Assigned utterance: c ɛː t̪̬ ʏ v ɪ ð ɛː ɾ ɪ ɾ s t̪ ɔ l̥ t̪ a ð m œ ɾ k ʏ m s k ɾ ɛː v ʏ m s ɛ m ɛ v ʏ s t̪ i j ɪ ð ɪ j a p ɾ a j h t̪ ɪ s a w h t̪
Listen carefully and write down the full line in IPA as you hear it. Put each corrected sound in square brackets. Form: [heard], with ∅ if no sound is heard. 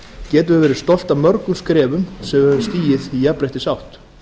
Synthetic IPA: c ɛː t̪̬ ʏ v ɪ [v] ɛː ɾ ɪ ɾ s t̪ ɔ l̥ t̪ a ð m œ ɾ k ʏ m s k ɾ ɛː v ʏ m s ɛ m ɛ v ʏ s t̪ [iː] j ɪ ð [i] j a p ɾ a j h t̪ ɪ s a w h t̪